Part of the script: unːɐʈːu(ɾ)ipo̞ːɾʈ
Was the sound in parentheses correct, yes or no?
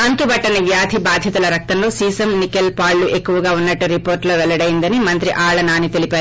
yes